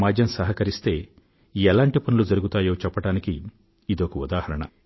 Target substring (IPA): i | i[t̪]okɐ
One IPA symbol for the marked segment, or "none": d̪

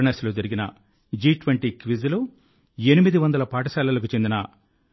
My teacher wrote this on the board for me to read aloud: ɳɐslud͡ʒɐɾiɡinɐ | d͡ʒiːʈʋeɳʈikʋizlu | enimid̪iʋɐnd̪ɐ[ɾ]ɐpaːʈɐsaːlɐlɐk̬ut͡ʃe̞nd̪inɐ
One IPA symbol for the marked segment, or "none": l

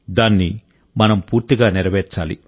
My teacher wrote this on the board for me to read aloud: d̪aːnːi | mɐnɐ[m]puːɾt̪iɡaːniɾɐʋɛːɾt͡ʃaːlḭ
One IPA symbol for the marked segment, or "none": m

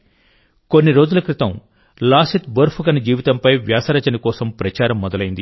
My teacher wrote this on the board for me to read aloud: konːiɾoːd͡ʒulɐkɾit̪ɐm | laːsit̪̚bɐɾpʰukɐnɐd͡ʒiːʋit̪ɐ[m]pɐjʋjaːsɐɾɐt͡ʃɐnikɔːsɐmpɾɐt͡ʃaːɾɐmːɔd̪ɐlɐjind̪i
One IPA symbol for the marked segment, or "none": m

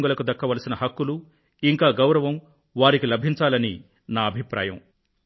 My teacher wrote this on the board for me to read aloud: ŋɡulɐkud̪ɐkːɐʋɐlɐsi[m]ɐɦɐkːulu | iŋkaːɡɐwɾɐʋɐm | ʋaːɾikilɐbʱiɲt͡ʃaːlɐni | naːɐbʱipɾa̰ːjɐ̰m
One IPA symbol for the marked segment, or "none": n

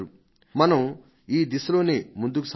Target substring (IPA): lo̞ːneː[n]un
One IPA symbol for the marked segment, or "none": m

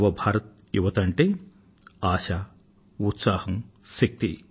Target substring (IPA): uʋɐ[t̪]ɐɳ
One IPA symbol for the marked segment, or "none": t̪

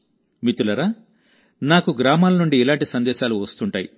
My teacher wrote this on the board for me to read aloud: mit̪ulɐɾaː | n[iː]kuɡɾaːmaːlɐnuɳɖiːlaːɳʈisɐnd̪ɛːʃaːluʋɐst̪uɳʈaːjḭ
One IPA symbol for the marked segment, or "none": aː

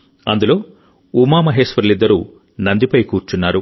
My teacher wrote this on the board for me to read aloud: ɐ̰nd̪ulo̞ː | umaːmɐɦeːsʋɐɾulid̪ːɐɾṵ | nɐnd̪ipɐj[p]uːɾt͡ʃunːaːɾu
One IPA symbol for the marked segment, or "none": k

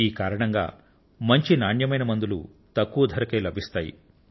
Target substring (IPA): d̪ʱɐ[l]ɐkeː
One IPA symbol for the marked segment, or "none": ɾ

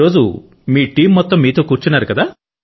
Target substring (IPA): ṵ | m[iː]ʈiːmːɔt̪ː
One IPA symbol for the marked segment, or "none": iː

